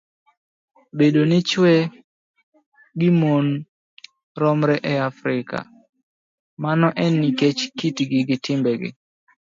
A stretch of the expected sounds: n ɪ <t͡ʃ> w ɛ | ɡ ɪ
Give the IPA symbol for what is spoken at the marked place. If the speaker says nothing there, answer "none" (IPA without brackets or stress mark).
t͡ʃ